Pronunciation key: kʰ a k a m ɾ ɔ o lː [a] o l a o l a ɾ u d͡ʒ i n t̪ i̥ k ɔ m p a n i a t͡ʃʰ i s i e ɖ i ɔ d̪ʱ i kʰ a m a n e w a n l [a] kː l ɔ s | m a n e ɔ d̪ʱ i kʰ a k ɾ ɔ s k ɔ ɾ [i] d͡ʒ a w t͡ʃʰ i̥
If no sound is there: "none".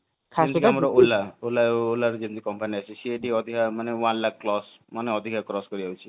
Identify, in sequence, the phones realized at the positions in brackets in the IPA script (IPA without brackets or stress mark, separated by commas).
a, a, i